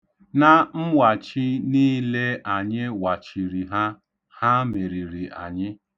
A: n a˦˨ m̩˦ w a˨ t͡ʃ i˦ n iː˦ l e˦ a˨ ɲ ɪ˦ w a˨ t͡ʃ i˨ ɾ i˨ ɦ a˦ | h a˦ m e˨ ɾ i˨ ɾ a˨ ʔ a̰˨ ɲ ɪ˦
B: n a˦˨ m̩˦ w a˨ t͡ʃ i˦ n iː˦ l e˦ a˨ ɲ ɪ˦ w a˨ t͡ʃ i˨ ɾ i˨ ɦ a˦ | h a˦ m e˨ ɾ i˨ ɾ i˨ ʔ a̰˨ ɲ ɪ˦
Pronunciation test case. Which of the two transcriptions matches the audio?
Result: B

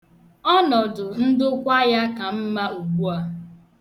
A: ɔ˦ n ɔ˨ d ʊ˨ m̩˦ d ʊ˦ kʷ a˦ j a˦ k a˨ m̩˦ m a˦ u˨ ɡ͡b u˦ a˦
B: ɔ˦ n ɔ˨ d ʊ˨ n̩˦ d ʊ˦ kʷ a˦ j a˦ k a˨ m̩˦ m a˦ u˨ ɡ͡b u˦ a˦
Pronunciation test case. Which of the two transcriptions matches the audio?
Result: B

